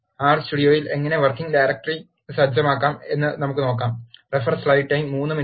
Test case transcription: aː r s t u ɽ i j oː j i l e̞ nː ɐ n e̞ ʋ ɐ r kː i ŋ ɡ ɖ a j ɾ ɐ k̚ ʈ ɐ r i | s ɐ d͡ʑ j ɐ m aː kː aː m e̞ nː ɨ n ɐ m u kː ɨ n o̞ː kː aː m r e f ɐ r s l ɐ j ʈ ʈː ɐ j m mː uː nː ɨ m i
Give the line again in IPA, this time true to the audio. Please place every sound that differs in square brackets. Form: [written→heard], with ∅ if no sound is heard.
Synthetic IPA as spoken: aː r s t u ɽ i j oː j i l e̞ [nː→ŋː] ɐ n e̞ ʋ ɐ r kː i ŋ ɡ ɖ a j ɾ ɐ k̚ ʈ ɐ r i | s ɐ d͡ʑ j ɐ m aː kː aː m e̞ nː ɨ n ɐ m u kː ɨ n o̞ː kː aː m r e f ɐ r s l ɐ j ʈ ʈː ɐ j m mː uː nː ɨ m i